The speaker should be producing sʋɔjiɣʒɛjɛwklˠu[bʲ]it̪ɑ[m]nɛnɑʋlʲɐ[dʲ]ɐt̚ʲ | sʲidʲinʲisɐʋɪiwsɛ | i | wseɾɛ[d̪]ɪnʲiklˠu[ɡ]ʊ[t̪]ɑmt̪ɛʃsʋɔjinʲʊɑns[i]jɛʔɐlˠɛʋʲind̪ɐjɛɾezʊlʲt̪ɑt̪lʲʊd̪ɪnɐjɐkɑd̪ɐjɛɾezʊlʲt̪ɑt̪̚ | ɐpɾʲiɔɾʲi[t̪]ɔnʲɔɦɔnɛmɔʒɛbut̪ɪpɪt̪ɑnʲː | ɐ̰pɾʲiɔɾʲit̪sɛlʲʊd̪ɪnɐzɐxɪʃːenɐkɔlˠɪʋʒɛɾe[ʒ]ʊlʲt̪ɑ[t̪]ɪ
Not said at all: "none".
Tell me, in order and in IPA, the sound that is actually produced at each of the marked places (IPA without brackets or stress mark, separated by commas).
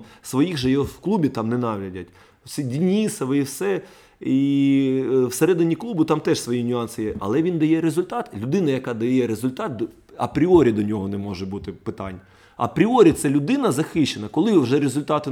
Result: bʲ, m, dʲ, d̪, b, t̪, ɪ, d̪, z, t̪